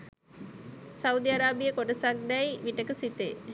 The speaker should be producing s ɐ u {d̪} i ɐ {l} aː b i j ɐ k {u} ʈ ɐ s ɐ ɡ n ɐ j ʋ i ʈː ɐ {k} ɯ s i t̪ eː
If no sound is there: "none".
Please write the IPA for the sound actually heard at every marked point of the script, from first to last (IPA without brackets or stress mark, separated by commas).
d̪, ɾ, o, k